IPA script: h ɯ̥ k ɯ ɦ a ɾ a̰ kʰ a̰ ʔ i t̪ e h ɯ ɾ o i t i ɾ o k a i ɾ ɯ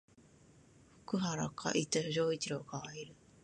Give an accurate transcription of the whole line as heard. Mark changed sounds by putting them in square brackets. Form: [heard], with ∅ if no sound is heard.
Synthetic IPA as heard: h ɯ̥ k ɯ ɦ a ɾ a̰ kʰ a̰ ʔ i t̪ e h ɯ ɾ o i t i ɾ o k a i ɾ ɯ